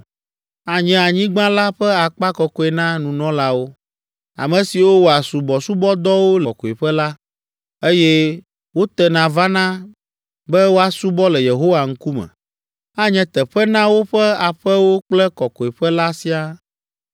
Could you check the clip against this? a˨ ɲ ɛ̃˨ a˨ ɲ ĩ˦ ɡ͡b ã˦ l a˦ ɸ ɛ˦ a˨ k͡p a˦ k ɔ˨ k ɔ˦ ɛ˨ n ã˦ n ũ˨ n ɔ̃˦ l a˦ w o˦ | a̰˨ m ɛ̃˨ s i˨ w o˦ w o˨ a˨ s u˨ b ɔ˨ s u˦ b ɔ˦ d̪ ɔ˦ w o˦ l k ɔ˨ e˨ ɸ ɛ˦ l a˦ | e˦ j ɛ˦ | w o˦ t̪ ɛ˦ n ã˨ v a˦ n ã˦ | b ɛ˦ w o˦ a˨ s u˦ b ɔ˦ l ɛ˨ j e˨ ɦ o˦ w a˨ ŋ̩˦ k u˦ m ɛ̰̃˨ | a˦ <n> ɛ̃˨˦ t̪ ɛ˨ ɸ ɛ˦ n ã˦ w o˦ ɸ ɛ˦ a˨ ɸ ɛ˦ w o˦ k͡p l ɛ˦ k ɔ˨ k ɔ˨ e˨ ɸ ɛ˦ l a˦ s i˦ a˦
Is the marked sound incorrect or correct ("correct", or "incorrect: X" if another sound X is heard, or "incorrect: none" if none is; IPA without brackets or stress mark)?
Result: incorrect: ɲ